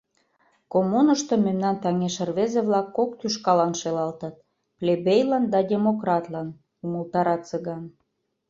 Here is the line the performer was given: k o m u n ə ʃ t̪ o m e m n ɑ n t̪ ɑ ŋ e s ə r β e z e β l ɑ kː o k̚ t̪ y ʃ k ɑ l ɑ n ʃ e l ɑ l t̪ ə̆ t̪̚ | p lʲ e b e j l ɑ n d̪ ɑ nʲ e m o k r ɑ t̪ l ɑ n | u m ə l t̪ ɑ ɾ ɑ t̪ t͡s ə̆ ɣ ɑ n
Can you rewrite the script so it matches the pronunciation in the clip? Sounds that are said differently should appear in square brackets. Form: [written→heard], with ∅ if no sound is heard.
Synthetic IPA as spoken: k o m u n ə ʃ t̪ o m e m n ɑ n t̪ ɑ ŋ e [s→ʃ] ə r β e z e β l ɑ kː o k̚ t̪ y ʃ k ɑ l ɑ n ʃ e l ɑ l t̪ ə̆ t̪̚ | p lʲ e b e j l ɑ n d̪ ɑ [nʲ→dʲ] e m o k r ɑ t̪ l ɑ n | u m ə l t̪ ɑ ɾ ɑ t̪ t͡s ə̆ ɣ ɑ n